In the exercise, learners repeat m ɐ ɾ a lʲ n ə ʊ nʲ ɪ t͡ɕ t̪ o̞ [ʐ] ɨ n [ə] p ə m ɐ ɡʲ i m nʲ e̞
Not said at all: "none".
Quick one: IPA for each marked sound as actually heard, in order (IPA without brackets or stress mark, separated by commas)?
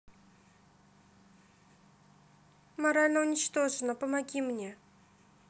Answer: ʐ, ə